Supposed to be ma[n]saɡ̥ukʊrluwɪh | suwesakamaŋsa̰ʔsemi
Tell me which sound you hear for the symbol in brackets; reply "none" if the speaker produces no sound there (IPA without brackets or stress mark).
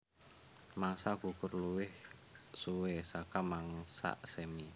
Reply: ŋ